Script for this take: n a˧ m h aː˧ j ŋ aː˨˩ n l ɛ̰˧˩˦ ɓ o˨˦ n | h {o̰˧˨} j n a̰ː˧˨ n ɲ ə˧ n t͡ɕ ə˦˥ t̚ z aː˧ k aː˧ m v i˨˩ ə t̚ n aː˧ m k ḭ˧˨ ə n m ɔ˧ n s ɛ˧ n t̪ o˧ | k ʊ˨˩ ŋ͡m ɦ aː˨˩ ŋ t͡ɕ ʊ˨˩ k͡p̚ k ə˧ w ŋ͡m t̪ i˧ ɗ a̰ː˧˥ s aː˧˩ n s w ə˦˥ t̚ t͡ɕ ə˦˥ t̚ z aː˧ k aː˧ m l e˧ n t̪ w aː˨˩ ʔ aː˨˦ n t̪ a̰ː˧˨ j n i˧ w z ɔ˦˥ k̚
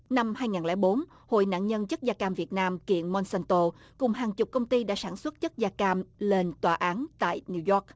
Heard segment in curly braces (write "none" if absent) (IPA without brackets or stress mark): o̰˧˨